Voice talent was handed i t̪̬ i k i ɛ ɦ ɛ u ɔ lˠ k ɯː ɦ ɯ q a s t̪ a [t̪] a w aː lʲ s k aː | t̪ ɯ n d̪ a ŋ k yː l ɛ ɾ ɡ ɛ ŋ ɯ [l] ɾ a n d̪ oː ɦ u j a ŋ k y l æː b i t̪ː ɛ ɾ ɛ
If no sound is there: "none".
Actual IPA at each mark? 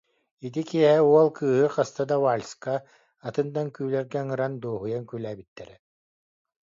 d̪, none

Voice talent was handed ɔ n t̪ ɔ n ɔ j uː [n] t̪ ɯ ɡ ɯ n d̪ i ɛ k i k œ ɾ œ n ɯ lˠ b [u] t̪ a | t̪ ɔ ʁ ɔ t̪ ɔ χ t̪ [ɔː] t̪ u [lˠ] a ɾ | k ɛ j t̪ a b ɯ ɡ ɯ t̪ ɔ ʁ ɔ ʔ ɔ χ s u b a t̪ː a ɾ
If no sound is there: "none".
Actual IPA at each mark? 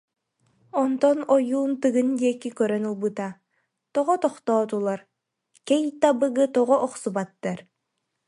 n, ɯ, ɔː, lˠ

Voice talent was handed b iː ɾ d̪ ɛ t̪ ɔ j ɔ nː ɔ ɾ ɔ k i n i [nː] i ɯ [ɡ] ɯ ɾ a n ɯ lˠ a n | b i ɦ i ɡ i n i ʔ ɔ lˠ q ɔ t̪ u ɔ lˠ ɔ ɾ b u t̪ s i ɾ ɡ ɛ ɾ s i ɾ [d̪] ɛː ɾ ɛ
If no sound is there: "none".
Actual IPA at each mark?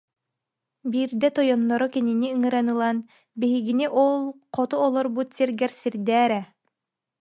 n, ŋ, d̪

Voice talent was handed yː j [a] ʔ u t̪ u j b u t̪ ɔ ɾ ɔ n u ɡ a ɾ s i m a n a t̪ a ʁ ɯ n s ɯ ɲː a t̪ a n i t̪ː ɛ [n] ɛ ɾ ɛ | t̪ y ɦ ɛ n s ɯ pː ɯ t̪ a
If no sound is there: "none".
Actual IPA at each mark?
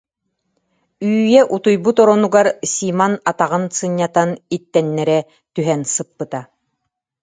ɛ, nː

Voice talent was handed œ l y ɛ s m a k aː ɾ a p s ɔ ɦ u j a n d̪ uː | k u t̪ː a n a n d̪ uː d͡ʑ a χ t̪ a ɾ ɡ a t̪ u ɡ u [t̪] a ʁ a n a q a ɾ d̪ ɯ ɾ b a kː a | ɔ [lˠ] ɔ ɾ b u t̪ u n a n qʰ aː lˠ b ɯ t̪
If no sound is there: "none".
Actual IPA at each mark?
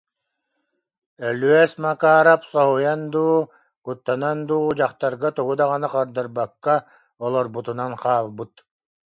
d̪, lˠ

